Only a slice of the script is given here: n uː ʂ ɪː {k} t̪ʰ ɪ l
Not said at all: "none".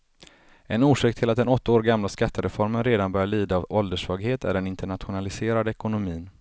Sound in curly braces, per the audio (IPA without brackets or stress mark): k